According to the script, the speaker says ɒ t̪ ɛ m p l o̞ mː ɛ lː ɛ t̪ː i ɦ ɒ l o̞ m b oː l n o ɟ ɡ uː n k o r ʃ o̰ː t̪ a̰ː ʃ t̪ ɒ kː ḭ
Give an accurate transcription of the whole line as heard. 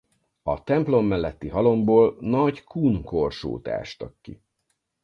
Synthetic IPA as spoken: ɒ t̪ ɛ m p l o̞ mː ɛ lː ɛ t̪ː i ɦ ɒ l o̞ m b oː l n ɒ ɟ k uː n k o r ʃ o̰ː t̪ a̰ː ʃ t̪ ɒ kː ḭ